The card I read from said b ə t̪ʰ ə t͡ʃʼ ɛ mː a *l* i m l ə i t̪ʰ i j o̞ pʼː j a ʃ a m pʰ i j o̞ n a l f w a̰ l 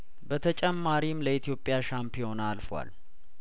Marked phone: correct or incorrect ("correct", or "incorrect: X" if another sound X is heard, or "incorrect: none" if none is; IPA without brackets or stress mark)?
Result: incorrect: ɾ